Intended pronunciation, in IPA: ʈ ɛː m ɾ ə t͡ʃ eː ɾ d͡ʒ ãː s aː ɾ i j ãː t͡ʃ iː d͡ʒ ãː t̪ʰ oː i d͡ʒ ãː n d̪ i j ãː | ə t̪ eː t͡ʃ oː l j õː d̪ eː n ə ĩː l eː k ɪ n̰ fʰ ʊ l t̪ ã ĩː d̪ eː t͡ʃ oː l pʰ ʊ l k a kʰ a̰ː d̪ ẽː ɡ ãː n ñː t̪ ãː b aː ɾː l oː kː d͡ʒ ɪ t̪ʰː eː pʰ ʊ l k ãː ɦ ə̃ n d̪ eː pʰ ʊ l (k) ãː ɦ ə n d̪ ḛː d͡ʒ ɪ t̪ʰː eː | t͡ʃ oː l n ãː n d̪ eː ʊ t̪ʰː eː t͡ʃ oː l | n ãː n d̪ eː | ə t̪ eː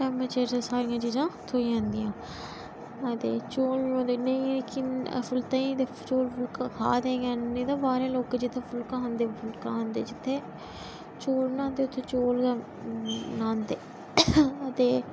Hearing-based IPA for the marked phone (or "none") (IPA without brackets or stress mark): k